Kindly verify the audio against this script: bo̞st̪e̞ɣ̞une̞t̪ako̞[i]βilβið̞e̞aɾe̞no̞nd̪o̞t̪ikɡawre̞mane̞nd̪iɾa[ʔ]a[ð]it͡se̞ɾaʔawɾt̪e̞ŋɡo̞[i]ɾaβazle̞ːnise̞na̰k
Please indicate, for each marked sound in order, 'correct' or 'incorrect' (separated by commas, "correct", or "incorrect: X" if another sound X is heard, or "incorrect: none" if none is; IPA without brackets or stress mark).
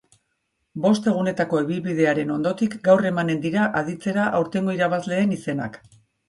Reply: incorrect: e, correct, correct, correct